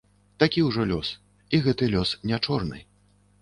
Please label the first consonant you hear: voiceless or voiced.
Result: voiceless